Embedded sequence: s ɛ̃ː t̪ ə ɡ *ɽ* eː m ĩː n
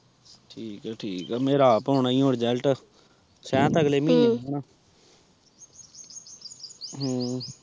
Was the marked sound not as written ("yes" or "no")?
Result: yes